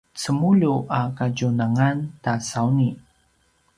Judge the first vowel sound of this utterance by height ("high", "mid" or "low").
mid